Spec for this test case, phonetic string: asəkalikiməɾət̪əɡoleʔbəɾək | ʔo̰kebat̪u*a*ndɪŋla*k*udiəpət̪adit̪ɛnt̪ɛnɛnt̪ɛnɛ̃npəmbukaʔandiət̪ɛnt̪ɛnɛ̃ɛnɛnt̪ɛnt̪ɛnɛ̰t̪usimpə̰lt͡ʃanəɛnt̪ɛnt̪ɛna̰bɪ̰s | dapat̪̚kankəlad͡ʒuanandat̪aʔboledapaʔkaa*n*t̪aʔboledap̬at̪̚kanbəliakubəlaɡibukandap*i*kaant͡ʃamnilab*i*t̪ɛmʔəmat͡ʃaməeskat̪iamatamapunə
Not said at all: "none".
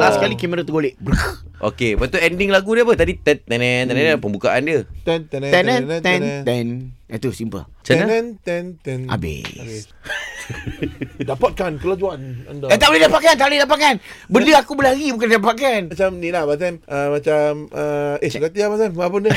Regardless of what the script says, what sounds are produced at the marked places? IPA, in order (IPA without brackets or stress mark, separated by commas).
ɛ, ɡ, n, a, a